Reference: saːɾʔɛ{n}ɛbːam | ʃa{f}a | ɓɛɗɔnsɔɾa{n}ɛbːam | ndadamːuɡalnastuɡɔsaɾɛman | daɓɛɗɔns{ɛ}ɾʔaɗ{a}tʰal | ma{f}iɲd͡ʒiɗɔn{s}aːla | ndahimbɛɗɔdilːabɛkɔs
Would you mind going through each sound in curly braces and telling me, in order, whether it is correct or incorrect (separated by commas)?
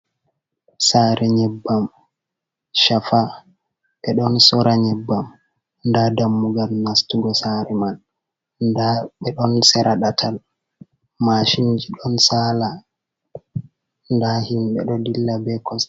incorrect, correct, incorrect, correct, correct, incorrect, correct